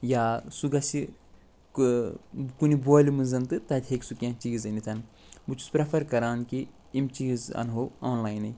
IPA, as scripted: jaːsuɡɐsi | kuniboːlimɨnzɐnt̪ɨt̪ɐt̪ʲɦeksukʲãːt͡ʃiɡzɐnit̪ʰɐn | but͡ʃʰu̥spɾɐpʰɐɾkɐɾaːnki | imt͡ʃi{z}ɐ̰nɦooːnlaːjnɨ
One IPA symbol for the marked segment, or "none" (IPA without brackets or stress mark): z